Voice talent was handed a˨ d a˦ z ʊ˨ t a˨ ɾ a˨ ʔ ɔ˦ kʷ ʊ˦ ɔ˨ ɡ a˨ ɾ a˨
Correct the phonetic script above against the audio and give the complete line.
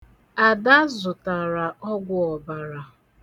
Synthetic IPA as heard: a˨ d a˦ z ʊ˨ t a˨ ɾ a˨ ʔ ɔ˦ ɡʷ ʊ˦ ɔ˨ b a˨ ɾ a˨